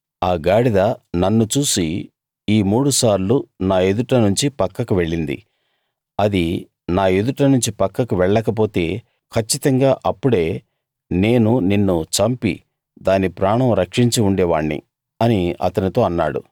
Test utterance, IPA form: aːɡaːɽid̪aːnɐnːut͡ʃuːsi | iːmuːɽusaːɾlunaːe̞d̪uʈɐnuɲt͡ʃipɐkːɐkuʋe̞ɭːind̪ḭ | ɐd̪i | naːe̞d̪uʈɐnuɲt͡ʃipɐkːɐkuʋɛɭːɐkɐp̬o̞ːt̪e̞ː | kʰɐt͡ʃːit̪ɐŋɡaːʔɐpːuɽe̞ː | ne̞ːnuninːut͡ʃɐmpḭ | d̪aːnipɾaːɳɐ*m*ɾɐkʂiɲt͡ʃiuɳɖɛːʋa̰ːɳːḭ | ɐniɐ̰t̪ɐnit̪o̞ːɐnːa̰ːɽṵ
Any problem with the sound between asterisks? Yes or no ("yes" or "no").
no